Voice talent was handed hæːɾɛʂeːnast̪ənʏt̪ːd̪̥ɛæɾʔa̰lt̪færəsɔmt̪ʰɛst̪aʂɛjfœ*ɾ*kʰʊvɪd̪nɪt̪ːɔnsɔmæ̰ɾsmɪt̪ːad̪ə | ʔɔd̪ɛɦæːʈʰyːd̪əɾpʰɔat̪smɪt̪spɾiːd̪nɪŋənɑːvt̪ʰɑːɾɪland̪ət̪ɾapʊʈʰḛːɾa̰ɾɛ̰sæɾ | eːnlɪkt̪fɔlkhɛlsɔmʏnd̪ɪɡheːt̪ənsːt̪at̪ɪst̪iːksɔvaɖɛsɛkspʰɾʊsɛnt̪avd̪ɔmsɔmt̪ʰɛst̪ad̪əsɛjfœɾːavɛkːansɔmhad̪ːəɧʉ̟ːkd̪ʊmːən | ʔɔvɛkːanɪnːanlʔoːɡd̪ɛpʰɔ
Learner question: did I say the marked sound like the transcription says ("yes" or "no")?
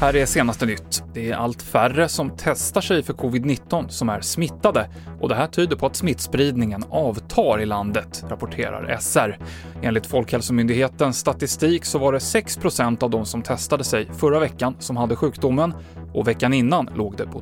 yes